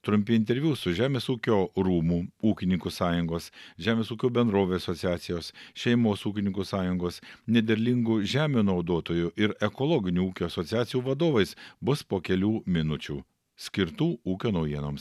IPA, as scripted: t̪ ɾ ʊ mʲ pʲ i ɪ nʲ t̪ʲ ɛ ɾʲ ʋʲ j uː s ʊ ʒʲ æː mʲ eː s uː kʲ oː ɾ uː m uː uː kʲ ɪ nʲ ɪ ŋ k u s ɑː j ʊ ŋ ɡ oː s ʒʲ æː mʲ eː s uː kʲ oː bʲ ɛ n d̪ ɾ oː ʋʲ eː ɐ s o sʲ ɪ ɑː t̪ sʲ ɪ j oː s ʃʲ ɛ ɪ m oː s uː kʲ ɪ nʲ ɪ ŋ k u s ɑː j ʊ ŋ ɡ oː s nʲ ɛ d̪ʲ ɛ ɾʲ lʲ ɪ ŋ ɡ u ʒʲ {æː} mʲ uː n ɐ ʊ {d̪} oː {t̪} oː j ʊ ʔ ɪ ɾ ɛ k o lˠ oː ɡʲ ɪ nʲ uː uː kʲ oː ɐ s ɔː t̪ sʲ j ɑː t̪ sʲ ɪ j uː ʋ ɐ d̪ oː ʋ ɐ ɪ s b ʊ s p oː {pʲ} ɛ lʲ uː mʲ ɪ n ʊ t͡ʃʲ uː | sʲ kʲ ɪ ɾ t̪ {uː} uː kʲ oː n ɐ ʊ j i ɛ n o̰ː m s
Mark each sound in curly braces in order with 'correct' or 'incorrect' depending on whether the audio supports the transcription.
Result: correct, correct, correct, incorrect, correct

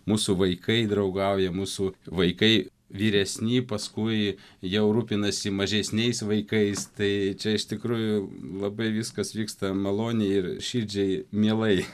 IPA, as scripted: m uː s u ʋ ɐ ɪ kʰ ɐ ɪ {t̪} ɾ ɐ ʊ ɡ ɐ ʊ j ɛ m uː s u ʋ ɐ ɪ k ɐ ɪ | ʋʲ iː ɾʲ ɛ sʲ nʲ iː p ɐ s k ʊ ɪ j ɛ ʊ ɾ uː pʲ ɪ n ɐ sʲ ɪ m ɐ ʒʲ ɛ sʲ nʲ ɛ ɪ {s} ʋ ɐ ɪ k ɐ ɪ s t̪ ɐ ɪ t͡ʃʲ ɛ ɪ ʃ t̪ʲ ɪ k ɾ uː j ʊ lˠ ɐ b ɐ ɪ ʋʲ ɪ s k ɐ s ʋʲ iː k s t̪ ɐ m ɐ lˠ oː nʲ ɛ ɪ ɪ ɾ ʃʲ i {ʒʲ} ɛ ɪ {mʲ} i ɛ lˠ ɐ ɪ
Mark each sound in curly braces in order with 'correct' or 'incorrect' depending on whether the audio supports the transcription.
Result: incorrect, correct, incorrect, correct

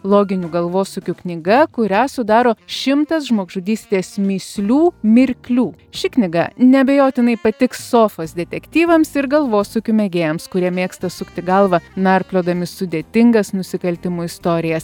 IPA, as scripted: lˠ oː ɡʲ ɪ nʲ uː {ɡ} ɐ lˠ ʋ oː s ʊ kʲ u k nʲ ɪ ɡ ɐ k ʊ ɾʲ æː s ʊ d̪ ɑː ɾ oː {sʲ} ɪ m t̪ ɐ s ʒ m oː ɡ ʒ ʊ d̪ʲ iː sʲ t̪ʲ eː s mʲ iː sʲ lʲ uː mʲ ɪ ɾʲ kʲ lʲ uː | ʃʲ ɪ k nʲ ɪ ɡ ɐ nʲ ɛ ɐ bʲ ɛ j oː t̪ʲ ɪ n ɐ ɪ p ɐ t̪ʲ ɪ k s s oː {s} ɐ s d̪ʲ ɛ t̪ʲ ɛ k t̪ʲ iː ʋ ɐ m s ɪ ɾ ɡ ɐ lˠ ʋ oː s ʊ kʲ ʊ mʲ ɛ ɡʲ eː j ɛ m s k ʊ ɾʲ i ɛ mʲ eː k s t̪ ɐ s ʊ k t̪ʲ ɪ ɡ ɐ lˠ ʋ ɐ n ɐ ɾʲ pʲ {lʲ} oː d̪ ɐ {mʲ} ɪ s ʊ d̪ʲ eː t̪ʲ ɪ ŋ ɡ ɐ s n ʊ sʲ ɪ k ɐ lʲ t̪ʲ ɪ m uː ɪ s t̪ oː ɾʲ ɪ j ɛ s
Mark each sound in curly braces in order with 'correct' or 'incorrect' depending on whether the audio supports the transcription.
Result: correct, incorrect, incorrect, correct, correct

